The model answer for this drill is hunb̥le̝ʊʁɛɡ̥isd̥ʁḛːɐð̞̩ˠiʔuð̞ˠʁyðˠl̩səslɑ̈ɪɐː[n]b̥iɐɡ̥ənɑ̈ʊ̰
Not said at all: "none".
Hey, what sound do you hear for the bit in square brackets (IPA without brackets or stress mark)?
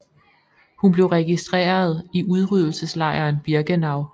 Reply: n